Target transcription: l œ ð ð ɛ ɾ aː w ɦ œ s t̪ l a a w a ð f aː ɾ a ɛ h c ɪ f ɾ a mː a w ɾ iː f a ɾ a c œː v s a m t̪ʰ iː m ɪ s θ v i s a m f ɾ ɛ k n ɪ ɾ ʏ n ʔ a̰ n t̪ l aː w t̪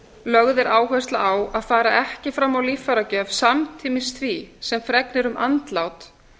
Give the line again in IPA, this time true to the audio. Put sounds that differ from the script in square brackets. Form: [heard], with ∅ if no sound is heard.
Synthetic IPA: l œ [ɣ] ð ɛ ɾ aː w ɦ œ s t̪ l a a w a ð f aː ɾ a ɛ h c ɪ f ɾ a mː a w [l] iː f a ɾ a c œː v s a m t̪ʰ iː m ɪ s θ v i s [ɛ] m f ɾ ɛ k n ɪ ɾ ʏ [m] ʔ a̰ n t̪ l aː w t̪